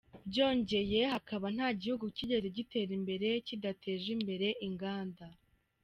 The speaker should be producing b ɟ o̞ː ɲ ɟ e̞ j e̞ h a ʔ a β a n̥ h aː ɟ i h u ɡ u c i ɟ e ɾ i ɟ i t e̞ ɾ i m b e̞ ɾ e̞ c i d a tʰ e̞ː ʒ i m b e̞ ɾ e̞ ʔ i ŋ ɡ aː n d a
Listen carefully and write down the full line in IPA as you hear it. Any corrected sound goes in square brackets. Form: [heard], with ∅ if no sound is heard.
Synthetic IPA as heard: b ɟ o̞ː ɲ ɟ e̞ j e̞ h a [k] a β a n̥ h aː ɟ i h u ɡ u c i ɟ e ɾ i ɟ i t e̞ ɾ i m b e̞ ɾ e̞ c i d a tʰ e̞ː ʒ i m b e̞ ɾ e̞ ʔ i ŋ ɡ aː n d a